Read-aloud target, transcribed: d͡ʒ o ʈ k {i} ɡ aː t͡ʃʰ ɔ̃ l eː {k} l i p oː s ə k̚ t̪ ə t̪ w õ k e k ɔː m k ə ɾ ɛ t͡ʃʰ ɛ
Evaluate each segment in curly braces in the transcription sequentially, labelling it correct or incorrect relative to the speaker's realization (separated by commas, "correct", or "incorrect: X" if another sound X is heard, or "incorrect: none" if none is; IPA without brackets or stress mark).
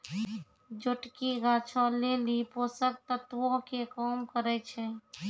correct, incorrect: none